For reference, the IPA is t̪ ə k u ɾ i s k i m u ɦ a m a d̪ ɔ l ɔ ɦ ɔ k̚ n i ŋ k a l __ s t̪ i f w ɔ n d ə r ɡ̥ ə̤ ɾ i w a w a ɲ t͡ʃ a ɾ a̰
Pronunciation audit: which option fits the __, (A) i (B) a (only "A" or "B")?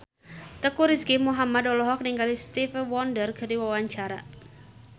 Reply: A